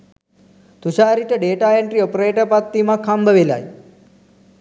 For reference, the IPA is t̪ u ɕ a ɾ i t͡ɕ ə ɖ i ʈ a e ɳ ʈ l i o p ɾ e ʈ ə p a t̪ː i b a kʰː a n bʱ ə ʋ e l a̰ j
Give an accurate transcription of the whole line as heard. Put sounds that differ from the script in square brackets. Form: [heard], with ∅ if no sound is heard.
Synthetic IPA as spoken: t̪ u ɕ a ɾ i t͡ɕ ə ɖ [e] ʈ a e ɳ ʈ [ɾ] i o p ɾ e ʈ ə p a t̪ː i [m] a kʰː a [m] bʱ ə ʋ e l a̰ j